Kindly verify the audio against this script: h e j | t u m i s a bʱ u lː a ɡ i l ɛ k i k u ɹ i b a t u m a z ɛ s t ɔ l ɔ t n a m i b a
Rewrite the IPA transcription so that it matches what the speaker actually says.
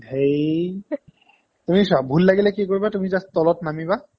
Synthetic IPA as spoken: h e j | t u m i s a bʱ u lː a ɡ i l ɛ k i k o ɹ i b a t u m i z a s t ɔ l ɔ t n a m i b a